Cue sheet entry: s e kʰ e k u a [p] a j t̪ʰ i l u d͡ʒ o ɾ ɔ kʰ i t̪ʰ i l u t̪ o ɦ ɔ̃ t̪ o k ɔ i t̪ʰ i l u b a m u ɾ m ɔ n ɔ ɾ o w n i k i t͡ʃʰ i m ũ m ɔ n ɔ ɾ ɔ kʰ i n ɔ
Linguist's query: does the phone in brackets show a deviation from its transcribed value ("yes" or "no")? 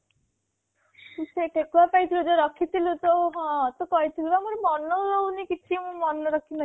no